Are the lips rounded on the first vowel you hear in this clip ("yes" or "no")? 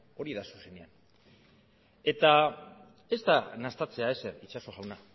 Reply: yes